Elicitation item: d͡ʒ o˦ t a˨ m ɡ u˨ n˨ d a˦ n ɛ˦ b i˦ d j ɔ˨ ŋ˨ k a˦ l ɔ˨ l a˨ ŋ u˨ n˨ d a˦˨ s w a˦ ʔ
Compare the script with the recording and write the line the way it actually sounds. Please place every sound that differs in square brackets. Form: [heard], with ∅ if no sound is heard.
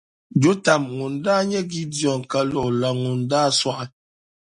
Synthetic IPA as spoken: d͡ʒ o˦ t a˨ m [ŋ] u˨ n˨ d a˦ [ɲ] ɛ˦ [ɡ] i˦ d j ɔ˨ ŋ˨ k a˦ l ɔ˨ l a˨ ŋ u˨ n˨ d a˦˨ s w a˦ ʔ